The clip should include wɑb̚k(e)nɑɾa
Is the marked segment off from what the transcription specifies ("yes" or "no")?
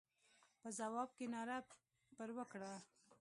no